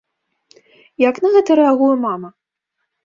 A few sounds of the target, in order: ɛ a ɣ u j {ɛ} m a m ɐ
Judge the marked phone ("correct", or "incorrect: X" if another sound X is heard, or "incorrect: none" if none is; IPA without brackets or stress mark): correct